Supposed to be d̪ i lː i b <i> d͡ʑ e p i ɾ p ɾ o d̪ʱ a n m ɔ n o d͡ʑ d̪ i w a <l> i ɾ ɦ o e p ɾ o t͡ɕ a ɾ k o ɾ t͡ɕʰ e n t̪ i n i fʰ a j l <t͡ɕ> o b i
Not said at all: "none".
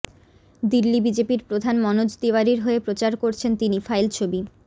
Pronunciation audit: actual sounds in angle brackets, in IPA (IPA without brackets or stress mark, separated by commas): i, ɾ, t͡ɕʰ